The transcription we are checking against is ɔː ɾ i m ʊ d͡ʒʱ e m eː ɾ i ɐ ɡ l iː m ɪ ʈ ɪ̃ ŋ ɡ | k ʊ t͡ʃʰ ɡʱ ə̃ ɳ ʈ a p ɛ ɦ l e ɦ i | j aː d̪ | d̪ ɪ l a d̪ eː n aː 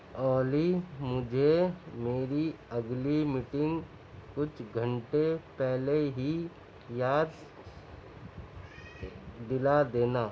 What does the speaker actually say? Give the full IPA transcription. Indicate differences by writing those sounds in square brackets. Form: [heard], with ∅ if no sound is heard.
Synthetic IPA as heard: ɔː [l] i m ʊ d͡ʒʱ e m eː ɾ i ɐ ɡ l [i] m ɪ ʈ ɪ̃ ŋ ɡ | k ʊ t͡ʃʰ ɡʱ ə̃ ɳ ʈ [e] p ɛ ɦ l e ɦ i | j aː d̪ | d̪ ɪ l a d̪ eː n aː